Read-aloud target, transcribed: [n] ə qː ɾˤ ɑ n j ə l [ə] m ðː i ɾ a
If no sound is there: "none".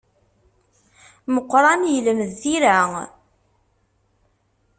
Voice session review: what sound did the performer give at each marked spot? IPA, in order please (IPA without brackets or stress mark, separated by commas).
m, ə